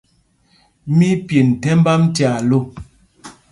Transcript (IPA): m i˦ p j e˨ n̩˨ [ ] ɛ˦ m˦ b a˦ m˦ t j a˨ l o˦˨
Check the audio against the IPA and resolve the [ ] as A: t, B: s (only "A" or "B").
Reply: A